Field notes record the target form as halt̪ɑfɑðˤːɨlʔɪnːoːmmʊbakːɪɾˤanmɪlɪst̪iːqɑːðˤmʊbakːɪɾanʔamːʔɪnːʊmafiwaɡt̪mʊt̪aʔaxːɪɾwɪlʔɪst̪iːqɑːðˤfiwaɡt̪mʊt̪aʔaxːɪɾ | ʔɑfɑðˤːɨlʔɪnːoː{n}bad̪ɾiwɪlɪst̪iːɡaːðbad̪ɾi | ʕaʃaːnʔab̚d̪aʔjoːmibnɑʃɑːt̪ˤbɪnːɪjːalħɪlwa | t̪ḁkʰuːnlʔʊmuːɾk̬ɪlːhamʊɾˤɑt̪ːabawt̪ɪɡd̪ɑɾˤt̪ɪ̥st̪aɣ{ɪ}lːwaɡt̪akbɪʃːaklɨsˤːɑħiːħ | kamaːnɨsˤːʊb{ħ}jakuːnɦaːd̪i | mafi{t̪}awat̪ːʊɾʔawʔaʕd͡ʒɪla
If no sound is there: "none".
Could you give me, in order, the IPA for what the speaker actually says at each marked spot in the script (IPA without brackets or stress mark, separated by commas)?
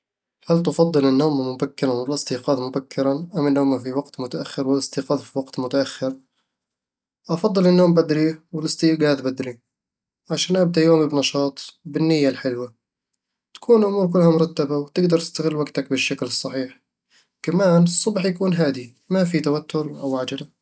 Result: m, ɪ, ħ, t̪